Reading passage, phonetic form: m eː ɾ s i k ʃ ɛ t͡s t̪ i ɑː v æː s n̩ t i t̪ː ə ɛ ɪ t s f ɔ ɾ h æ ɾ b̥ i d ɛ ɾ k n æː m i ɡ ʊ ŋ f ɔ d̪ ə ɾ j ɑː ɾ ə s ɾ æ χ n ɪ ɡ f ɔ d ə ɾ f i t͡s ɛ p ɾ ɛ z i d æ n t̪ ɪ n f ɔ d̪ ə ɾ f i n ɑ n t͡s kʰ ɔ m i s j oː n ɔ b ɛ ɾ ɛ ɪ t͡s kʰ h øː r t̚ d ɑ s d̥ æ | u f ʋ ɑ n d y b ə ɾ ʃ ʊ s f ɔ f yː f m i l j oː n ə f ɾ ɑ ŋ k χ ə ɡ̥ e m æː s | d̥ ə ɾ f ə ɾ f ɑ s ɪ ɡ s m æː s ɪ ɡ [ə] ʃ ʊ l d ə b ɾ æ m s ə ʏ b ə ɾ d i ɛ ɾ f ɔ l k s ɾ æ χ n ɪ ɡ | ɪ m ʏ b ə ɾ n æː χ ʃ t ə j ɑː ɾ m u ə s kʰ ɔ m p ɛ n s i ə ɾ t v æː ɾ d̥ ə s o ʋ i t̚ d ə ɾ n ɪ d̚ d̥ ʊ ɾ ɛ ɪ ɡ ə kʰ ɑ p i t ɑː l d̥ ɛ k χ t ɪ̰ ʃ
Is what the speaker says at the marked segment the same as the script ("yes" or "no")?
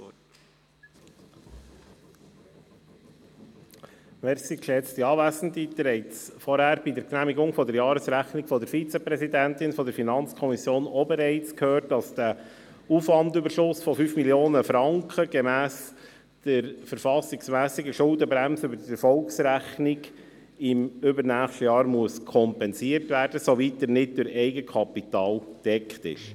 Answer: yes